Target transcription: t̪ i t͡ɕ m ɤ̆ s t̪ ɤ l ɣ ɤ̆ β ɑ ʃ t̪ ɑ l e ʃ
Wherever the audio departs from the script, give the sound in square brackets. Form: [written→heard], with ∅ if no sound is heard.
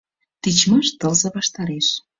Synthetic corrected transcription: t̪ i t͡ɕ m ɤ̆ [s→ʃ] t̪ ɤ l [ɣ→z] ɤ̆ β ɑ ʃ t̪ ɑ [l→ɾ] e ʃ